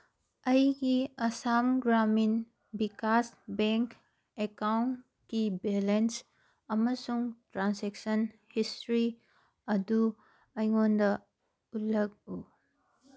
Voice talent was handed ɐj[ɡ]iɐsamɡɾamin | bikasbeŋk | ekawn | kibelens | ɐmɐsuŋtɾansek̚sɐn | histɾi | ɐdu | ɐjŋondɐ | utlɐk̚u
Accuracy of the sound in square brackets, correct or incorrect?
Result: correct